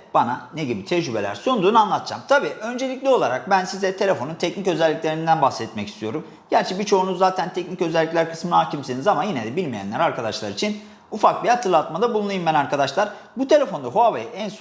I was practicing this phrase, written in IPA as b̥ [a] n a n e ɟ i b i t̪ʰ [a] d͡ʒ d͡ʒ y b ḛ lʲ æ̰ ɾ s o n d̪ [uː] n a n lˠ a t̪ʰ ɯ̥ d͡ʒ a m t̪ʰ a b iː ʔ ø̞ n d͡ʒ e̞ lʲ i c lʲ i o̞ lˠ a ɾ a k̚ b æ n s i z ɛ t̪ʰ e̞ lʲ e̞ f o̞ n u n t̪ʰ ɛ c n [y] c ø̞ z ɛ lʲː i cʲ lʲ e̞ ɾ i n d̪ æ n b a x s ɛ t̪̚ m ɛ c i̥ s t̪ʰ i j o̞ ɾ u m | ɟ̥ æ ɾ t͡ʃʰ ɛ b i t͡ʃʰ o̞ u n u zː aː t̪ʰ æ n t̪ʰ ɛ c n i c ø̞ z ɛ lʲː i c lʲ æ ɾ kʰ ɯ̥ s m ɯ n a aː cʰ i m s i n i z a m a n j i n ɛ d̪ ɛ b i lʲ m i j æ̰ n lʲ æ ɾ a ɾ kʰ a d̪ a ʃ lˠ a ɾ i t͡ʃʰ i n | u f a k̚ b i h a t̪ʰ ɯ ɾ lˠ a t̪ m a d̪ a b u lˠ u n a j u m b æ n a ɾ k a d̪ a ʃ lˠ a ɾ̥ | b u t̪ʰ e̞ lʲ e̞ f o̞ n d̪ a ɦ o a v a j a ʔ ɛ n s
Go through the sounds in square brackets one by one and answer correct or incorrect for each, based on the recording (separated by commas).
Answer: correct, incorrect, correct, incorrect